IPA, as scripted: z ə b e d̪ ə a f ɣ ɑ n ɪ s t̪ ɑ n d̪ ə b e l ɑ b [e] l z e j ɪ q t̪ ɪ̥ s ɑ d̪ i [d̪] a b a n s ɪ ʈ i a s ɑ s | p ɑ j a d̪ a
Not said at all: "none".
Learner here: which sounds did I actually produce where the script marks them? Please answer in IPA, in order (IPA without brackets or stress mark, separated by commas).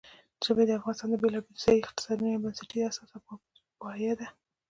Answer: e, none